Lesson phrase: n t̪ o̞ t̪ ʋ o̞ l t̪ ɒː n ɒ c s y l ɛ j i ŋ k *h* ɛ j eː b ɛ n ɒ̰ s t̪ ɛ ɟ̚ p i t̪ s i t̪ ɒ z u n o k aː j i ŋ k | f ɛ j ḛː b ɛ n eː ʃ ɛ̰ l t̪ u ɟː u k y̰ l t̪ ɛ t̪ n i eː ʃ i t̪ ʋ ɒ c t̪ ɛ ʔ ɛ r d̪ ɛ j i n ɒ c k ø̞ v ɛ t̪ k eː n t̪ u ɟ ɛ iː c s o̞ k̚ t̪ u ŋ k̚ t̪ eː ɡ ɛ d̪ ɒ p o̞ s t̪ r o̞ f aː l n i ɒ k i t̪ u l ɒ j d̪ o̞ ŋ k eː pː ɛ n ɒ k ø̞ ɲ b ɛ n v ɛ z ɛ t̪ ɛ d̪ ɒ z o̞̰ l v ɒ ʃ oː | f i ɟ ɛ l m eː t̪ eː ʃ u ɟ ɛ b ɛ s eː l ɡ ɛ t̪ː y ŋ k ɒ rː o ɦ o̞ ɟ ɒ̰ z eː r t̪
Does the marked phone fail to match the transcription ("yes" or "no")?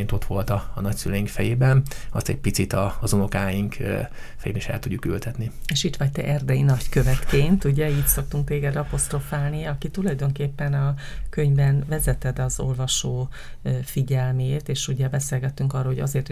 yes